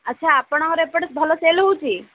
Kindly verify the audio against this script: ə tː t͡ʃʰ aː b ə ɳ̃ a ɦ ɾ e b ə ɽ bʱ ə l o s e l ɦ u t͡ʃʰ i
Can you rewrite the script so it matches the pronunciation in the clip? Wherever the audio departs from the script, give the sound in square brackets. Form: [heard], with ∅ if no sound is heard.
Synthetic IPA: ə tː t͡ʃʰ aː [p] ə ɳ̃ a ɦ ɾ e [p] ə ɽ bʱ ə l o s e l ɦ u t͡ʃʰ i

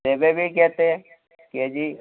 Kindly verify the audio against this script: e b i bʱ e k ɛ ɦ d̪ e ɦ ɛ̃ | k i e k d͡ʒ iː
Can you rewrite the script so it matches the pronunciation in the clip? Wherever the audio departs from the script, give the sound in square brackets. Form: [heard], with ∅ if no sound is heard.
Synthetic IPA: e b [e] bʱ [i] k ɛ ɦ [t̪] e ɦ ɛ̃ | k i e [∅] d͡ʒ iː

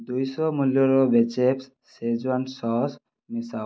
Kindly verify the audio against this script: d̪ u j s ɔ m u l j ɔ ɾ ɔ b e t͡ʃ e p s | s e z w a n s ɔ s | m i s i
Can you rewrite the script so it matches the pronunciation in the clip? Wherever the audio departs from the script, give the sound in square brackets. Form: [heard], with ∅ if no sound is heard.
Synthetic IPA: d̪ u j s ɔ m u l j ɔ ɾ ɔ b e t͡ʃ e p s | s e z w a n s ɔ s | m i s [a]

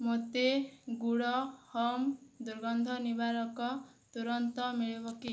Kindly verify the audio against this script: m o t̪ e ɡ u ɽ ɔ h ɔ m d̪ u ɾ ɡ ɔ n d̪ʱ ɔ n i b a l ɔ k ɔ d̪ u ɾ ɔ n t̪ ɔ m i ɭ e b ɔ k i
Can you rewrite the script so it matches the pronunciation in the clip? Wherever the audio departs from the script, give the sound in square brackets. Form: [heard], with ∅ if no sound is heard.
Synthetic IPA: m o t̪ e ɡ u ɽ ɔ h ɔ m d̪ u ɾ ɡ ɔ n d̪ʱ ɔ n i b a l ɔ k ɔ [t̪] u ɾ ɔ n t̪ ɔ m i ɭ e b ɔ k i

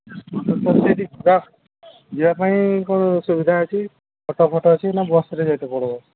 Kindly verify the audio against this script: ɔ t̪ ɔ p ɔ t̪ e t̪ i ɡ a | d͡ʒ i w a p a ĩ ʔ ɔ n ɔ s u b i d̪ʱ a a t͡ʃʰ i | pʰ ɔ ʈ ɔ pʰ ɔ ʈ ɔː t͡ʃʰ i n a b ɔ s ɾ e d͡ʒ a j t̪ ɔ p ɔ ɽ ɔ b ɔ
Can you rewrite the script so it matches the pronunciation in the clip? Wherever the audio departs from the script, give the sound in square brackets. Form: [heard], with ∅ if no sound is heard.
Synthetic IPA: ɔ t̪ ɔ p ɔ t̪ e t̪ i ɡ a | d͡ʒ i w a p a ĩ [k] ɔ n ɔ s u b i d̪ʱ a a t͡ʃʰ i | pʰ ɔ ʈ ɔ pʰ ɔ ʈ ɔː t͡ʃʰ i n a b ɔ s ɾ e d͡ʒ a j t̪ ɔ p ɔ ɽ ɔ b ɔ

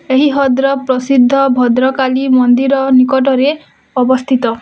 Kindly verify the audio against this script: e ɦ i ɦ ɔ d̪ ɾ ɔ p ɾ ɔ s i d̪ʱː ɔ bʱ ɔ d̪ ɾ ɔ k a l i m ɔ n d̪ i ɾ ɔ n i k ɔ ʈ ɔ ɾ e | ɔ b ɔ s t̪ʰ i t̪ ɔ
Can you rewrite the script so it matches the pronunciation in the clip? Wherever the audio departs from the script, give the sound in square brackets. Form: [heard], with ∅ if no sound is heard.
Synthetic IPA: e ɦ i ɦ ɔ d̪ ɾ ɔ p ɾ ɔ s i d̪ʱː ɔ bʱ ɔ d̪ ɾ ɔ k a l i m ɔ n d̪ i ɾ ɔ n i k ɔ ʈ ɔ ɾ e | ɔ b ɔ s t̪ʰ i t̪ ɔ

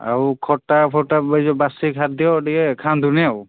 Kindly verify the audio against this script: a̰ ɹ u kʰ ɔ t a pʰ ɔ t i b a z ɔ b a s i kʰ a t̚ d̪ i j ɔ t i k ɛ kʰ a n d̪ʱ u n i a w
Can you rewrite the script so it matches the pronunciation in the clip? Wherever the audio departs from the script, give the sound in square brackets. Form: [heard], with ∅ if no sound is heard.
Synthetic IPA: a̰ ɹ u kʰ ɔ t a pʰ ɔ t [a] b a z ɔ b a s i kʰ a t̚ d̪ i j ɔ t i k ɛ kʰ a n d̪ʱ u n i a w

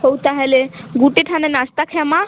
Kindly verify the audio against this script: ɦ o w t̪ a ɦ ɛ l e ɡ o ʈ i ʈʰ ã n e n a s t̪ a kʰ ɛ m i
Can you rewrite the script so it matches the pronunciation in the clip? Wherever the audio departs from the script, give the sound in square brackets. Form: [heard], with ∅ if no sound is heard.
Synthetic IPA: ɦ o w t̪ a ɦ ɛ l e ɡ [u] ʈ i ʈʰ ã n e n a s t̪ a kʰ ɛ m [a]

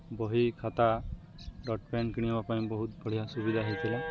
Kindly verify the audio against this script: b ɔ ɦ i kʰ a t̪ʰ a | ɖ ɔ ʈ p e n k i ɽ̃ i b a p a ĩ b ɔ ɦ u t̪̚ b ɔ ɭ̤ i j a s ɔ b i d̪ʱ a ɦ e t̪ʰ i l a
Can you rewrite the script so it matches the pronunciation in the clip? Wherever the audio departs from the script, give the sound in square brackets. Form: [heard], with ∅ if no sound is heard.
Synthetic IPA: b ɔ ɦ i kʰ a [t̪] a | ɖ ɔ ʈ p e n k i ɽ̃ i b a p a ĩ b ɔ ɦ u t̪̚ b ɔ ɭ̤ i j a s [u] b i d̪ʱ a ɦ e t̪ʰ i l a

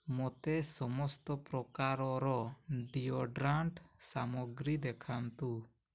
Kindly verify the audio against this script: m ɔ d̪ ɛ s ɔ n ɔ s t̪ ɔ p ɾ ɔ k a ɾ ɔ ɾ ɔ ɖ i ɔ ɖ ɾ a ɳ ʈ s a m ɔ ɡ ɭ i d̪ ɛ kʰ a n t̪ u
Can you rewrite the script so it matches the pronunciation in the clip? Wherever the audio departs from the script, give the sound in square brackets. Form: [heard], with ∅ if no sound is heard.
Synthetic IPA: m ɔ [t̪] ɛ s ɔ [m] ɔ s t̪ ɔ p ɾ ɔ k a ɾ ɔ ɾ ɔ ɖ i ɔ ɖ ɾ a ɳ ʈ s a m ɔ ɡ [ɾ] i d̪ ɛ kʰ a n t̪ u

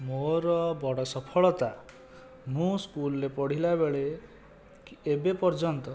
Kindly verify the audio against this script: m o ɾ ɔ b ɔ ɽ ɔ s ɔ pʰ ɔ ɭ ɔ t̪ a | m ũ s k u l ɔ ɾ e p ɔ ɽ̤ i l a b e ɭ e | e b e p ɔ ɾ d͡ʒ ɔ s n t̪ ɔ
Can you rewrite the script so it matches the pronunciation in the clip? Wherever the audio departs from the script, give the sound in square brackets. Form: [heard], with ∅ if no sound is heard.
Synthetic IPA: m o ɾ ɔ b ɔ ɽ ɔ s ɔ pʰ ɔ ɭ ɔ t̪ a | m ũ s k u l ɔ ɾ e p ɔ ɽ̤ i l a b e ɭ e | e b e p ɔ ɾ d͡ʒ ɔ [∅] n t̪ ɔ

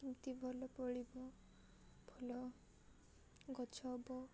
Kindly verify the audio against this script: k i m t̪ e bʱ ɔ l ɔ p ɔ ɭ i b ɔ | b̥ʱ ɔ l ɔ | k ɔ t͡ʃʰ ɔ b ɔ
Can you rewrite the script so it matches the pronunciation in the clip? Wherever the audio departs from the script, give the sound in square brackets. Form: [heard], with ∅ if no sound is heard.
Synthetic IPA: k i m t̪ [i] bʱ ɔ l ɔ p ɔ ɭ i b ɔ | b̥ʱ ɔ l ɔ | [ɡ] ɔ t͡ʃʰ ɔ b ɔ

